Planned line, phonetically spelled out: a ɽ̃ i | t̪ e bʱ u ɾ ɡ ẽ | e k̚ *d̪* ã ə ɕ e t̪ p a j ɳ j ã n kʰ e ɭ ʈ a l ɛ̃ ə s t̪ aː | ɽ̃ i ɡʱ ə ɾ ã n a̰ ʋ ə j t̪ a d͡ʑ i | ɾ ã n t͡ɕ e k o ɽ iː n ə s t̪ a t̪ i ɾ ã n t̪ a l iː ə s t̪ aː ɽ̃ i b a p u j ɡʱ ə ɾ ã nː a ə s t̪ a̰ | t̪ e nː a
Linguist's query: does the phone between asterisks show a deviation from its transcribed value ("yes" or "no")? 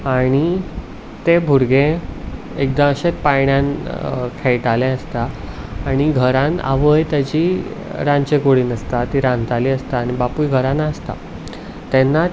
no